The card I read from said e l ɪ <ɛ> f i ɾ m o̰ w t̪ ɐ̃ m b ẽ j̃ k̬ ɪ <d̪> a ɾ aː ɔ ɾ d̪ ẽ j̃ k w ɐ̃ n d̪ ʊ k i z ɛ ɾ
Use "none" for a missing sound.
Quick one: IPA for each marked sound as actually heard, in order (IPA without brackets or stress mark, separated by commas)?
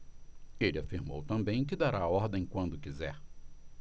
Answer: a, d̪